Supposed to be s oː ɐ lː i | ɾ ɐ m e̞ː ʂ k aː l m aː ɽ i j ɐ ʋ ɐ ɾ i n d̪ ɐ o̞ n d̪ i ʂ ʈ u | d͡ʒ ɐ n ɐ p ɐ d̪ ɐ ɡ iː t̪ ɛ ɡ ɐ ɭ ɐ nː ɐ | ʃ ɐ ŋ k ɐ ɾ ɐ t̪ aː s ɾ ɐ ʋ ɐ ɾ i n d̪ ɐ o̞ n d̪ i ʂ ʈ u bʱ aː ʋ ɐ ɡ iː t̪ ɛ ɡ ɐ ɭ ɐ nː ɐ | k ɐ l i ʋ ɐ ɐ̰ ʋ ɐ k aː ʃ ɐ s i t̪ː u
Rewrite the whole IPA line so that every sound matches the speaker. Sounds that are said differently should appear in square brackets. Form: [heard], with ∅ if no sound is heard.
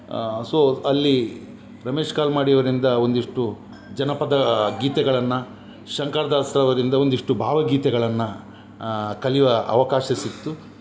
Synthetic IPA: s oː ɐ lː i | ɾ ɐ m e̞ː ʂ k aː l m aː ɽ i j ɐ ʋ ɐ ɾ i n d̪ ɐ o̞ n d̪ i ʂ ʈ u | d͡ʒ ɐ n ɐ p ɐ d̪ ɐ ɡ iː t̪ ɛ ɡ ɐ ɭ ɐ nː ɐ | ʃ ɐ ŋ k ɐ ɾ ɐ [d̪] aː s ɾ ɐ ʋ ɐ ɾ i n d̪ ɐ o̞ n d̪ i ʂ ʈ u bʱ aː ʋ ɐ ɡ iː t̪ ɛ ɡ ɐ ɭ ɐ nː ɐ | k ɐ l i ʋ ɐ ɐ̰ ʋ ɐ k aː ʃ ɐ s i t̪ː u

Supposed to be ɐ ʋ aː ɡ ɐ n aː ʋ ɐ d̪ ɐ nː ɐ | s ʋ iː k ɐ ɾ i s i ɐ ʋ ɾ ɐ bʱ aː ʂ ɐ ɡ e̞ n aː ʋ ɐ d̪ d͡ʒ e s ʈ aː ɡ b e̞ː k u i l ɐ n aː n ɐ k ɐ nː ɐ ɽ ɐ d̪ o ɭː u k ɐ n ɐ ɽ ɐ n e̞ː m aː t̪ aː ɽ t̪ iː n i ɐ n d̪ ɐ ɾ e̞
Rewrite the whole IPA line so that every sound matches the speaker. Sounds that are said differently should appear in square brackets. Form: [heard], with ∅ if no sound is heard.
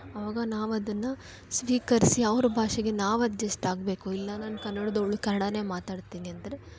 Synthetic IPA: ɐ ʋ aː ɡ ɐ n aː ʋ ɐ d̪ ɐ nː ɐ | s ʋ iː k ɐ ɾ i s i ɐ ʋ ɾ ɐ bʱ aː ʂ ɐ ɡ e̞ n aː ʋ ɐ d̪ d͡ʒ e s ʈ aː ɡ b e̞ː k u i [lː] ɐ n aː n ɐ k ɐ nː ɐ ɽ ɐ d̪ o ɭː u k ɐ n ɐ ɽ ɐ n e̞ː m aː t̪ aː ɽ t̪ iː n i ɐ n d̪ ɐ ɾ e̞

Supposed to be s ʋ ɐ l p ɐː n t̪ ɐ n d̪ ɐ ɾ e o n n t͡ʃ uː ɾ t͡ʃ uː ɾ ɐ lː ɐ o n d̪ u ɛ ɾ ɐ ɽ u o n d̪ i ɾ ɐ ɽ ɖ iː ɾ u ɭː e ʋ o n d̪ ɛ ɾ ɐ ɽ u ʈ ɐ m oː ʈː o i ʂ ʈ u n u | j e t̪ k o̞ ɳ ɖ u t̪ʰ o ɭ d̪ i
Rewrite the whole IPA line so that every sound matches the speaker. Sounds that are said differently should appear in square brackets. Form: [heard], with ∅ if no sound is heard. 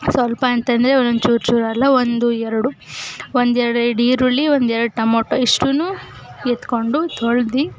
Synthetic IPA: s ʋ ɐ l p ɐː n t̪ ɐ n d̪ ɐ ɾ e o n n t͡ʃ uː ɾ t͡ʃ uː ɾ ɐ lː ɐ o n d̪ u ɛ ɾ ɐ ɽ u o n d̪ [ɛ] ɾ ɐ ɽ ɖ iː ɾ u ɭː [i] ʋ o n d̪ ɛ ɾ ɐ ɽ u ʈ ɐ m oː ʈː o i ʂ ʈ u n u | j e t̪ k o̞ ɳ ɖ u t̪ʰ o ɭ d̪ i

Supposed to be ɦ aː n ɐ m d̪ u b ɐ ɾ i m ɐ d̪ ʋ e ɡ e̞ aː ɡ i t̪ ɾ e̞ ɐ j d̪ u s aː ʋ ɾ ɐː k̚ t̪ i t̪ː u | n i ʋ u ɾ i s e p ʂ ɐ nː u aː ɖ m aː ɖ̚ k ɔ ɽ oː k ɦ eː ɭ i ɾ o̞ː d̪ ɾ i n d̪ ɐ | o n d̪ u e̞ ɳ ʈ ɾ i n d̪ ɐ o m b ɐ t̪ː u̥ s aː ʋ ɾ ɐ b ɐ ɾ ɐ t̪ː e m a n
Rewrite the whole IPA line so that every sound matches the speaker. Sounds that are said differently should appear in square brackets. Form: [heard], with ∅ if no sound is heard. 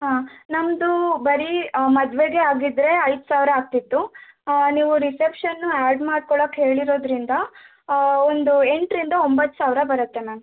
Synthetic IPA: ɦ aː n ɐ m d̪ u b ɐ ɾ i m ɐ d̪ ʋ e ɡ e̞ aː ɡ i [d̪] ɾ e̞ ɐ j d̪ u s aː ʋ ɾ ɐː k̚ t̪ i t̪ː u | n [iː] ʋ u ɾ i s e p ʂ ɐ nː u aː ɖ m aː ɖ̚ k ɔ [ɭ] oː k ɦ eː ɭ i ɾ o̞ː d̪ ɾ i n d̪ ɐ | o n d̪ u e̞ ɳ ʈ ɾ i n d̪ ɐ o m b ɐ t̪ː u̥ s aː ʋ ɾ ɐ b ɐ ɾ ɐ t̪ː e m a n

